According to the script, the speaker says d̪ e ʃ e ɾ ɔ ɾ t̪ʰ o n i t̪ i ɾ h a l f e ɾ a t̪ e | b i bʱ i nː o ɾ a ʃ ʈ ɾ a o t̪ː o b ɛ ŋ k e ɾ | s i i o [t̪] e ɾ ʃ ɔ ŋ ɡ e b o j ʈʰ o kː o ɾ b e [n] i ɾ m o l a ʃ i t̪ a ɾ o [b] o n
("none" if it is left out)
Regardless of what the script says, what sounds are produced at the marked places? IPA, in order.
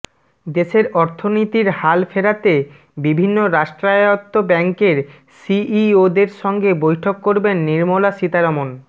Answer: d̪, nː, m

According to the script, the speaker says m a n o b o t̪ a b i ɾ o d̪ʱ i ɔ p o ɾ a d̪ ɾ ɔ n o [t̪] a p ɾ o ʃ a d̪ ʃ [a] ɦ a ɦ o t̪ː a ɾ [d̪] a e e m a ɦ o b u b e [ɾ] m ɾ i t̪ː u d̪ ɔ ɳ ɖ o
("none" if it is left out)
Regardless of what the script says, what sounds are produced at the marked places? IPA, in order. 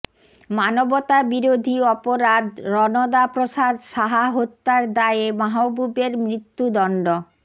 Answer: d̪, a, d̪, ɾ

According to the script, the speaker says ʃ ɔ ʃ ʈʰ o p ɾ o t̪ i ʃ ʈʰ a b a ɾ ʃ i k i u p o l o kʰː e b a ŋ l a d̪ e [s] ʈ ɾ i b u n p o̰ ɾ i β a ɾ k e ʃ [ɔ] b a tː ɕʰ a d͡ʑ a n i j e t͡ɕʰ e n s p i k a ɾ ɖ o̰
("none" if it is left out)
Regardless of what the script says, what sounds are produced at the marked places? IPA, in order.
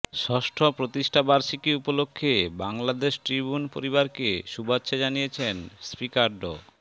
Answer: ʃ, u

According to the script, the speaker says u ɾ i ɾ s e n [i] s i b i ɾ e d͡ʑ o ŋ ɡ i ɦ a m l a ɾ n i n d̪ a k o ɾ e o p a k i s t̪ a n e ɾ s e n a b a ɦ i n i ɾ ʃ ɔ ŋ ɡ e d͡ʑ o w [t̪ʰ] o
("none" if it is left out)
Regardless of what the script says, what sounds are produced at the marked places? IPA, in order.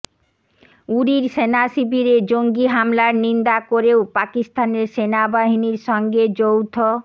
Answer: a, t̪ʰ

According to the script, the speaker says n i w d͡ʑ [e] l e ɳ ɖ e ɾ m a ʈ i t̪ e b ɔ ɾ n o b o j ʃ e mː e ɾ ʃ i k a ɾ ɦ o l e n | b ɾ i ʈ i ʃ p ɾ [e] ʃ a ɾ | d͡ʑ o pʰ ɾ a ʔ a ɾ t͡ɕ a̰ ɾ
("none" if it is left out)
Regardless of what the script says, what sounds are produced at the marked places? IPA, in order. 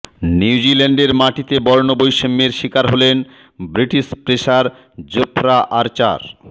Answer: i, e

